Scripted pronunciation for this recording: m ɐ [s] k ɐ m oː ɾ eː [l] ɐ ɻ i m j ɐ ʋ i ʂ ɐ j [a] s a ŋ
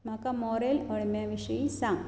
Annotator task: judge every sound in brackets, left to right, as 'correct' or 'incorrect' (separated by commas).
incorrect, correct, incorrect